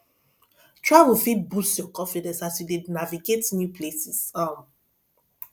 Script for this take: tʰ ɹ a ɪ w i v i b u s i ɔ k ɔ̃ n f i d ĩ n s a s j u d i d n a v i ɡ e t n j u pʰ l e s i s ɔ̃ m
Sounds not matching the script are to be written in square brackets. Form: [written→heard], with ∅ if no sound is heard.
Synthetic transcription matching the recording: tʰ ɹ a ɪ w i [v→f] i b u s [i→j] ɔ k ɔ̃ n f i d [ĩ→ɛ̃] n s a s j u d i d n a v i ɡ e t n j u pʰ l e s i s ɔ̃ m